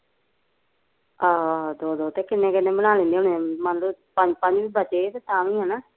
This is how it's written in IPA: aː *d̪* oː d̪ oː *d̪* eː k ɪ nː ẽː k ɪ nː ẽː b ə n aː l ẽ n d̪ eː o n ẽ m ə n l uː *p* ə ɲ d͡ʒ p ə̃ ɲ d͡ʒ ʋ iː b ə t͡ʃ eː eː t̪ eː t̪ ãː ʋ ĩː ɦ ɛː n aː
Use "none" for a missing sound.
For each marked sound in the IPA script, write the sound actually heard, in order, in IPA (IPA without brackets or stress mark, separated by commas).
d̪, t̪, p